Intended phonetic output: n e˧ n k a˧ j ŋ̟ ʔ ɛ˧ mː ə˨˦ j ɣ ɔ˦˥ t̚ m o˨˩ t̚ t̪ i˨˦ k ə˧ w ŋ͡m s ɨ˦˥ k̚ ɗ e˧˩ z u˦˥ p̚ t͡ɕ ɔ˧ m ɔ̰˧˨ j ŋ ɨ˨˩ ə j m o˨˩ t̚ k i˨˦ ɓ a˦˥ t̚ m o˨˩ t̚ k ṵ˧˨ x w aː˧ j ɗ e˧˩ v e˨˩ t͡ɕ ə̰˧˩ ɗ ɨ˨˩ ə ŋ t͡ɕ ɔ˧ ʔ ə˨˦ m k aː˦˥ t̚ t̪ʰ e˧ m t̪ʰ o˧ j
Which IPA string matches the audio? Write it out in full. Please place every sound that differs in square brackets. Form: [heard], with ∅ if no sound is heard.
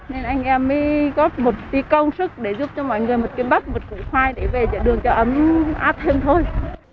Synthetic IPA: n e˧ n [ʔ] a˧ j ŋ̟ ʔ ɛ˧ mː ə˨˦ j ɣ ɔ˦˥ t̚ m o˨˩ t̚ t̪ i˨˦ k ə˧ w ŋ͡m s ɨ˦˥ k̚ ɗ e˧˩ z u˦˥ p̚ t͡ɕ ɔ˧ m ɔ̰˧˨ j ŋ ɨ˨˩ ə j m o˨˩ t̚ k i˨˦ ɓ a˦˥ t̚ m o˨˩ t̚ k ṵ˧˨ x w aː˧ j ɗ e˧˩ v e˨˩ t͡ɕ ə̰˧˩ ɗ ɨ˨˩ ə ŋ t͡ɕ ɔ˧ ʔ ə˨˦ m [ʔ] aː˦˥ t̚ t̪ʰ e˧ m t̪ʰ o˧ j